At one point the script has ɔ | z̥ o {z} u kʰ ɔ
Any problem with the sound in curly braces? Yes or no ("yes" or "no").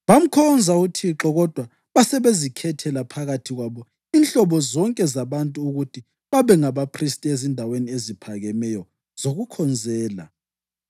yes